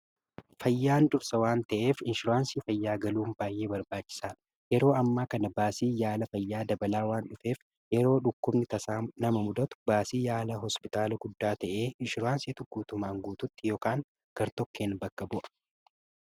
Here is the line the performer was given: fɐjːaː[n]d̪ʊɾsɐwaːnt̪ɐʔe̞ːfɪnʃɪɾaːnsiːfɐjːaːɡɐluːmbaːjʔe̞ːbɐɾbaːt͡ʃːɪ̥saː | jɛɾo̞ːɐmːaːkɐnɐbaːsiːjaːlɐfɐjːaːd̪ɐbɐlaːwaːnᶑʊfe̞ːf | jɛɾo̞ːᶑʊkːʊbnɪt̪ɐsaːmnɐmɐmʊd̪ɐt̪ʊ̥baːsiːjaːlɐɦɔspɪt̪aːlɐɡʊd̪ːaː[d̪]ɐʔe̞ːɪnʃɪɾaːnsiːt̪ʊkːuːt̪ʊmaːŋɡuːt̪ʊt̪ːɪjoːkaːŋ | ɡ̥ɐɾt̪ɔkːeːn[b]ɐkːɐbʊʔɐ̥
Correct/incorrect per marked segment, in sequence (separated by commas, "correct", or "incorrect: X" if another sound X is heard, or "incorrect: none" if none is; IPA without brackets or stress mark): correct, incorrect: t̪, correct